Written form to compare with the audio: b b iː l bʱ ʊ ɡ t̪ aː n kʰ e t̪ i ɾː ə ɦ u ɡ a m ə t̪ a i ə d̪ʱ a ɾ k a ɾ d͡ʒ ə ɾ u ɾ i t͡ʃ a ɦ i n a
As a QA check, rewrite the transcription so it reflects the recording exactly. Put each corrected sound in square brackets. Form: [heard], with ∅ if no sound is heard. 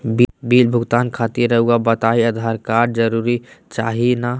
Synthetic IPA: b b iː l bʱ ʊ ɡ t̪ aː n kʰ [a] t̪ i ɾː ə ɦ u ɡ a [b] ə t̪ a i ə d̪ʱ a ɾ k a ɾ d͡ʒ ə ɾ u ɾ i t͡ʃ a ɦ i n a